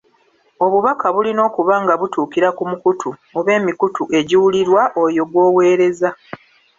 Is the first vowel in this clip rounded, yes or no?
yes